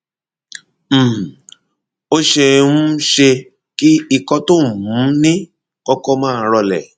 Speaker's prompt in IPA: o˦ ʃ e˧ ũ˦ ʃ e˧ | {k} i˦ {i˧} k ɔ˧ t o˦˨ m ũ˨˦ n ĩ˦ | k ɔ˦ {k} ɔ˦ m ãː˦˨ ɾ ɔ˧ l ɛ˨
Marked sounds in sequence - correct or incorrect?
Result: correct, correct, correct

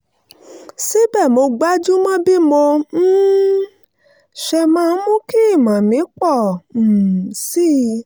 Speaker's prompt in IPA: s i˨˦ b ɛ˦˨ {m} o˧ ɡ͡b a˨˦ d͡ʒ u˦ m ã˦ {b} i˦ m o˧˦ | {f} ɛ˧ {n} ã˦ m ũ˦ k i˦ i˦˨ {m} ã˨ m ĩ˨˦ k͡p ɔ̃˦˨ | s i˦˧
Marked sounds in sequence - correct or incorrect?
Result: correct, correct, incorrect, incorrect, correct

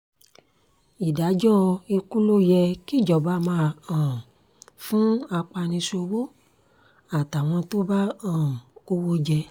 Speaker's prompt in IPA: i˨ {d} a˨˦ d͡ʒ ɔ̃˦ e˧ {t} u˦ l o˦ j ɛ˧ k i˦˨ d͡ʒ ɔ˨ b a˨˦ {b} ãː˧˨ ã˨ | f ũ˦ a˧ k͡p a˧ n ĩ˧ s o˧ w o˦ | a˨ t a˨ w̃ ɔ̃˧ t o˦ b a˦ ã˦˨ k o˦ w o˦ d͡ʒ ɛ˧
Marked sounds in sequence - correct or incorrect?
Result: correct, incorrect, incorrect

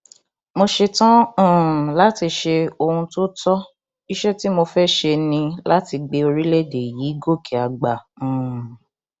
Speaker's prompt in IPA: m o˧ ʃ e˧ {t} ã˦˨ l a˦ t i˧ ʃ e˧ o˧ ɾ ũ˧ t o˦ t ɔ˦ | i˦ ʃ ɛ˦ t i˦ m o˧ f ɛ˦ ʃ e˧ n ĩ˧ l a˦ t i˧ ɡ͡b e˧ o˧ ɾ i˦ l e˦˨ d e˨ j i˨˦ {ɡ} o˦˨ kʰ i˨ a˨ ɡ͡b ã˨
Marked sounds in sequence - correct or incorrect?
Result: correct, correct

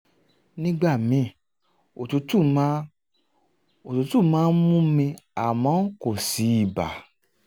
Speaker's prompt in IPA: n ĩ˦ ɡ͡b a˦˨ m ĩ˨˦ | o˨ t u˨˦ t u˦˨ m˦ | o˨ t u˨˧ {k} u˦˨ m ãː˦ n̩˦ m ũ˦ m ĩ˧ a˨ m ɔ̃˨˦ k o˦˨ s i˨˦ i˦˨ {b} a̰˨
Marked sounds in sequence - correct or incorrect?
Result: incorrect, correct

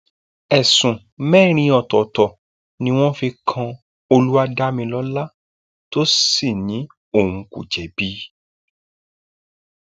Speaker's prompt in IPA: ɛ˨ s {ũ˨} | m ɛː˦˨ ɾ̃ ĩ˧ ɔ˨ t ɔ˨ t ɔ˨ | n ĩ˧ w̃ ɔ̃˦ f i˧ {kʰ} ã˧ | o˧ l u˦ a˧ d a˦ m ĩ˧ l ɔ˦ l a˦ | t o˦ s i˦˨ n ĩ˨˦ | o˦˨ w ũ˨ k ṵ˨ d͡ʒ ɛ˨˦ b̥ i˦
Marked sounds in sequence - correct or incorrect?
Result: correct, correct

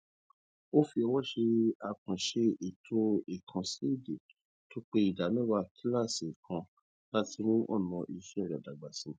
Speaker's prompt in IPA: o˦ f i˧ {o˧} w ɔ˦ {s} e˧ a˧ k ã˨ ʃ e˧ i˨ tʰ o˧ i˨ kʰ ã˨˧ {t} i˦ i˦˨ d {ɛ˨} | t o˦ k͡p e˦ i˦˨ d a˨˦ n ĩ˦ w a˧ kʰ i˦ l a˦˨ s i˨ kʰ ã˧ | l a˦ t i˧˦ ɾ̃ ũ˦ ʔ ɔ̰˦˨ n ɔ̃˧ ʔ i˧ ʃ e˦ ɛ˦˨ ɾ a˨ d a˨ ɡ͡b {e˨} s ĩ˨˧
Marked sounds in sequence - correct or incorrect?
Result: incorrect, incorrect, incorrect, incorrect, incorrect

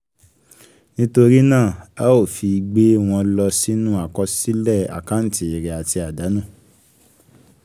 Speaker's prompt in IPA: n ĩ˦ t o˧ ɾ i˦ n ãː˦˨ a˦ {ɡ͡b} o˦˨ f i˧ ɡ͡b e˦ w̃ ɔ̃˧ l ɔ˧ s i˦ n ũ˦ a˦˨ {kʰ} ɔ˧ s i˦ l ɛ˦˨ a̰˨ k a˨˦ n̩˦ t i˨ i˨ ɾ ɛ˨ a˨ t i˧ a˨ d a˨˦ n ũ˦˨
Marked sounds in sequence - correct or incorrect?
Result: incorrect, incorrect

